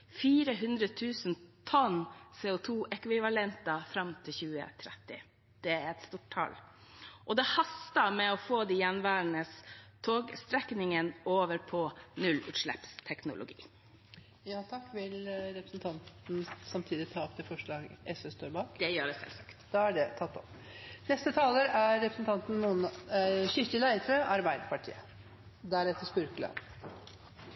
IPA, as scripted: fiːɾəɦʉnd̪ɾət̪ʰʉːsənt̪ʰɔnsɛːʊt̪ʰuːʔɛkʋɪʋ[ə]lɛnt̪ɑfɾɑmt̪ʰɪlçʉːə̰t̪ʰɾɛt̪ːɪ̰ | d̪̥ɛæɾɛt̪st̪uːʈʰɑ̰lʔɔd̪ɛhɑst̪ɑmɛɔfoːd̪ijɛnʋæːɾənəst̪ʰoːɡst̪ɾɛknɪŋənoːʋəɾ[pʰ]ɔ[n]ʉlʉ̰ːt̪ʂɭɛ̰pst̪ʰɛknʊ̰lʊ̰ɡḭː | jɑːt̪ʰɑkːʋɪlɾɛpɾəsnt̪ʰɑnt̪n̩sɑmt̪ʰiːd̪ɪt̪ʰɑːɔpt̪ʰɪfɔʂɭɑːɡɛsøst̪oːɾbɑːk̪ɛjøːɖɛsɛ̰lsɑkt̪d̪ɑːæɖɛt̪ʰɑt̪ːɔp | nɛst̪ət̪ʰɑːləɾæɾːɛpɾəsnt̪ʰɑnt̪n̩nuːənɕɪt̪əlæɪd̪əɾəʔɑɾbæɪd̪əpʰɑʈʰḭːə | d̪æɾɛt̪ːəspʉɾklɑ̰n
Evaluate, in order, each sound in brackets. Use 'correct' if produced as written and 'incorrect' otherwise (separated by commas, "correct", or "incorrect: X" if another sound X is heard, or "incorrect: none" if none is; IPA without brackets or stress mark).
incorrect: ɑ, correct, correct